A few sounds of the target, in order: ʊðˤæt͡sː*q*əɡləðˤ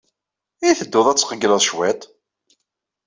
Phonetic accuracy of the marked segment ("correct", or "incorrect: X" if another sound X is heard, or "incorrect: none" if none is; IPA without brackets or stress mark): correct